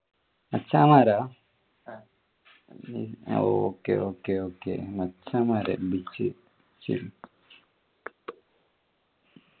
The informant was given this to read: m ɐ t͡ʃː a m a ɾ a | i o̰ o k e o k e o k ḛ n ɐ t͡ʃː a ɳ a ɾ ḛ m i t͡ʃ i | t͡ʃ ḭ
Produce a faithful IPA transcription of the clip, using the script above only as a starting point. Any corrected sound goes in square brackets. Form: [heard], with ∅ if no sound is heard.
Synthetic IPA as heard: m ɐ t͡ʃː a m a ɾ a | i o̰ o k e o k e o k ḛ [m] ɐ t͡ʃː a [m] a ɾ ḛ [b] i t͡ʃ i | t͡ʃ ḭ